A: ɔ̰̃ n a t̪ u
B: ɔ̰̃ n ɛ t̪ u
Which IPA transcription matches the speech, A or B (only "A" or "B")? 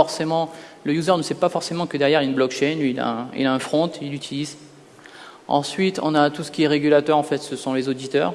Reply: A